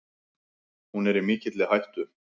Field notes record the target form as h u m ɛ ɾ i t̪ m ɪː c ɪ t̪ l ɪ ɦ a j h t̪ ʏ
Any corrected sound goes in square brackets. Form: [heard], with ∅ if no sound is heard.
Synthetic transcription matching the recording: h u [n] ɛ ɾ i [∅] m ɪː c ɪ t̪ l ɪ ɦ a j h t̪ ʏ